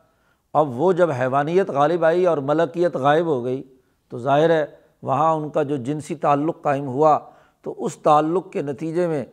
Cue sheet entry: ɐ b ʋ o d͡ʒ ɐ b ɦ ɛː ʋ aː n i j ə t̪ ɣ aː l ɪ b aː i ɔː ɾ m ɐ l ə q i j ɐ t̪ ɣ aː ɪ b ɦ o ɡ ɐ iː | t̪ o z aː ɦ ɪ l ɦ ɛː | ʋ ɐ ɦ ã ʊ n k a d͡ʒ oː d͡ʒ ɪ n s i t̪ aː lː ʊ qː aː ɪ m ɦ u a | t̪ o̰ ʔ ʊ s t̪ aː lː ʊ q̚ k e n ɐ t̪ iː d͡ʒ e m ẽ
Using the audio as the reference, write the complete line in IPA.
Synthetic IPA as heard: ɐ b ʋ o d͡ʒ ɐ b ɦ ɛː ʋ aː n i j ə t̪ ɣ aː l ɪ b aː i ɔː ɾ m ɐ l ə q i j ə t̪ ɣ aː ɪ b ɦ o ɡ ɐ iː | t̪ o z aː ɦ ɪ ɾ ɦ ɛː | ʋ ɐ ɦ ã ʊ n k a d͡ʒ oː d͡ʒ ɪ n s i t̪ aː lː ʊ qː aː ɪ m ɦ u a | t̪ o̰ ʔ ʊ s t̪ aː lː ʊ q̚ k e n ɐ t̪ iː d͡ʒ e m ẽ